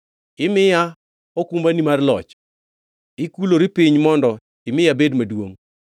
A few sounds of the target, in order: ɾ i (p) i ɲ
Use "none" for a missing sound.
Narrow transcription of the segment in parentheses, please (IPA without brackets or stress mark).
p